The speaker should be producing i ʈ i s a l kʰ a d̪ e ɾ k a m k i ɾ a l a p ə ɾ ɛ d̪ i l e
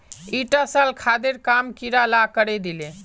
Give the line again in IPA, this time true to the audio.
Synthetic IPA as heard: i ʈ a s a l kʰ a d̪ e ɾ k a m k i ɾ a l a k ə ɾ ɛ d̪ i l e